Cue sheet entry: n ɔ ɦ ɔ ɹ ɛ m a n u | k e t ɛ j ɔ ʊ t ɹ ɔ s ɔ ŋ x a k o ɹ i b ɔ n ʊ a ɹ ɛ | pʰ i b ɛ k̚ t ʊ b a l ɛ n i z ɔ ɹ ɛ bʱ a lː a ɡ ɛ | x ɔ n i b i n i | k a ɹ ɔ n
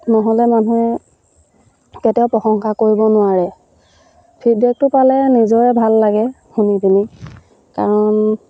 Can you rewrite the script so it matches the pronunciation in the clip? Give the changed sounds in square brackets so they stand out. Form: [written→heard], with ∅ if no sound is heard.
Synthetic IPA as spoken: n ɔ ɦ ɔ [ɹ→l] ɛ m a n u | k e t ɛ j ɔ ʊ [t→p] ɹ ɔ [s→x] ɔ ŋ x a k o ɹ i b ɔ n ʊ a ɹ ɛ | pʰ i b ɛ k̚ t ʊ [b→p] a l ɛ n i z ɔ ɹ ɛ bʱ a lː a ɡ ɛ | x [ɔ→u] n i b i n i | k a ɹ ɔ n